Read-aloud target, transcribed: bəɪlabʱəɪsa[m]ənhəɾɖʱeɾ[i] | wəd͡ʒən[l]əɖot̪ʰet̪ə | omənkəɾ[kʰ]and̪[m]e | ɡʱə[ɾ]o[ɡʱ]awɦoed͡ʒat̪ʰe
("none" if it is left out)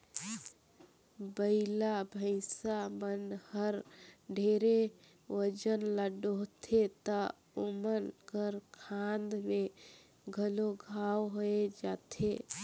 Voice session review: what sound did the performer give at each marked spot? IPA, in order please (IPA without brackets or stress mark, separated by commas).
m, e, l, kʰ, m, l, ɡʱ